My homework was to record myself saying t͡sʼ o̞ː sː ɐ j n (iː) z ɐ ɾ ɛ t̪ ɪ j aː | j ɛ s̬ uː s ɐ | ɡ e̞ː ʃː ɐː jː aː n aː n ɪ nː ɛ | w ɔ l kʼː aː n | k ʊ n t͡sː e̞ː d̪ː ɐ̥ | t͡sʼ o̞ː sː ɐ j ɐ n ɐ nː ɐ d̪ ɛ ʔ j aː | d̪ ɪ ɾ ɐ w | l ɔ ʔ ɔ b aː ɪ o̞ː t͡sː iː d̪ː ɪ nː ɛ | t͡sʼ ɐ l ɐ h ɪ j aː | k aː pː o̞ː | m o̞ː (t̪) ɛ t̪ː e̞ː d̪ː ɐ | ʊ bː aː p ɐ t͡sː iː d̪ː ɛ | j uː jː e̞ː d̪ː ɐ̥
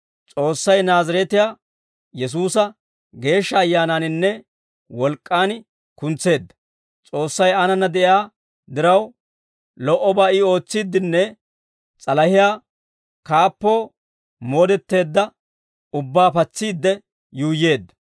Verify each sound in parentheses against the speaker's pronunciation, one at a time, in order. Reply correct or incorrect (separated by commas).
incorrect, incorrect